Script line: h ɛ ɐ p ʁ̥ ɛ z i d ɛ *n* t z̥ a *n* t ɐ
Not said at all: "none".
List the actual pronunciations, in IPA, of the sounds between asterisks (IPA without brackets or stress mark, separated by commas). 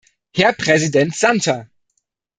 n, n